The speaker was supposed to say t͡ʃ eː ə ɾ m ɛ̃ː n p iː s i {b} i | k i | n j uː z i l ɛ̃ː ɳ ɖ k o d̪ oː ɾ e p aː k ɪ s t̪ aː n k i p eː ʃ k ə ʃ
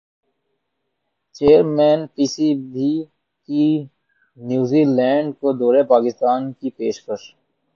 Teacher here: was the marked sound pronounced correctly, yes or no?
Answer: yes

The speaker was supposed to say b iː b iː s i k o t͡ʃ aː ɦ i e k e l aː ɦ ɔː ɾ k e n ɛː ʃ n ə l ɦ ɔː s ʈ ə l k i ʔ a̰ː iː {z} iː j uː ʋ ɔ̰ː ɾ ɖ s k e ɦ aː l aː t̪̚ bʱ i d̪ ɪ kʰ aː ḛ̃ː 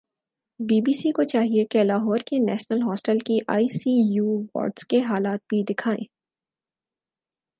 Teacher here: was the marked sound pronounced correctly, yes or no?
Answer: no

